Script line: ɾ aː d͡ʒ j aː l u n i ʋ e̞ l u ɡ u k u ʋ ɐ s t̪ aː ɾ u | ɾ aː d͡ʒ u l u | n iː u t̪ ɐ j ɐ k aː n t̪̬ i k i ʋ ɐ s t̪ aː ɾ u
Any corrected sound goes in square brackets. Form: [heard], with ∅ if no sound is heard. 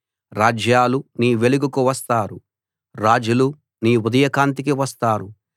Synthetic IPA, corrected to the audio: ɾ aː d͡ʒ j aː l u n [iː] ʋ e̞ l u ɡ u k u ʋ ɐ s t̪ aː ɾ u | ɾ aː d͡ʒ u l u | n iː u [d̪] ɐ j ɐ k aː n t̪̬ i k i ʋ ɐ s t̪ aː ɾ u